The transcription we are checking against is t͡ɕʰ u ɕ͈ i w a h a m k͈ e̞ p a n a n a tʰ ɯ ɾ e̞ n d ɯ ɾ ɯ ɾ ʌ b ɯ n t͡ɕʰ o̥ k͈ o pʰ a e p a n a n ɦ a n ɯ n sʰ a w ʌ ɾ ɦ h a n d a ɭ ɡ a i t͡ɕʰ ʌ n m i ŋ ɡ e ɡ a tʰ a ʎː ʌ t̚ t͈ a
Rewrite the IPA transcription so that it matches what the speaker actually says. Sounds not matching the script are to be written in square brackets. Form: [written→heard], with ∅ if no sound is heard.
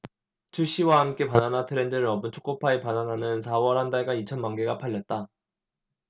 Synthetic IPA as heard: t͡ɕʰ u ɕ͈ i w a h a m k͈ e̞ p a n a n a tʰ ɯ ɾ e̞ n d ɯ ɾ ɯ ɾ ʌ b ɯ n t͡ɕʰ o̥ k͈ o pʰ a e p a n a n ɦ a n ɯ n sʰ a w ʌ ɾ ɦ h a n d a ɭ ɡ a i t͡ɕʰ ʌ n m [i→a] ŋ ɡ e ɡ a [tʰ→pʰ] a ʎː ʌ t̚ t͈ a